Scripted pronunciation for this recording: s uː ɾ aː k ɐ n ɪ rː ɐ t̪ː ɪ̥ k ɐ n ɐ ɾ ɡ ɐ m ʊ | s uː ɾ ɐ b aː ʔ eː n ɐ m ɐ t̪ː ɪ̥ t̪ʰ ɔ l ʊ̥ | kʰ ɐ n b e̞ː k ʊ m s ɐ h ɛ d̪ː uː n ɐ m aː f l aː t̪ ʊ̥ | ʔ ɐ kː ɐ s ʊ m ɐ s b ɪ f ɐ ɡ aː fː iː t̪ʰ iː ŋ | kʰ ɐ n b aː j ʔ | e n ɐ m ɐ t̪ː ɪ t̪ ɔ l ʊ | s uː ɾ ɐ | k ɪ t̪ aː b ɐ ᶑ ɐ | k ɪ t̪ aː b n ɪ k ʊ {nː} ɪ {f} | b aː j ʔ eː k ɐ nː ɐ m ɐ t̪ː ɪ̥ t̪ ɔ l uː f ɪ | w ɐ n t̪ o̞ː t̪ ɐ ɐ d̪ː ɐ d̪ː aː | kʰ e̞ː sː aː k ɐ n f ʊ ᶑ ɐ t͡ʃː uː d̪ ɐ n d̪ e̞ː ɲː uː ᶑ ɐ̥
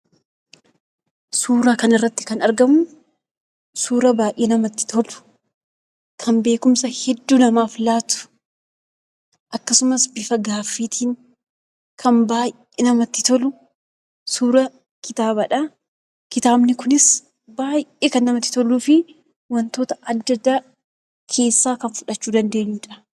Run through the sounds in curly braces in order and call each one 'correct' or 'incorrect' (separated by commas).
incorrect, incorrect